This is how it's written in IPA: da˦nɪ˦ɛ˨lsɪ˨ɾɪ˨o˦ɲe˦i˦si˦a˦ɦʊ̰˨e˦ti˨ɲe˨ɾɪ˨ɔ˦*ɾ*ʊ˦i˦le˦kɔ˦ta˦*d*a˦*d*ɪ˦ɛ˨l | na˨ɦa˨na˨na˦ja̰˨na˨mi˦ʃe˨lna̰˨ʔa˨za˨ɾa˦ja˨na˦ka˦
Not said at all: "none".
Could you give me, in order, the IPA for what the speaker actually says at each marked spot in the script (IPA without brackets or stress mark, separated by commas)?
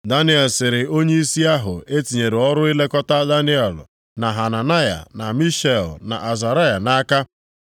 ɾ, d, n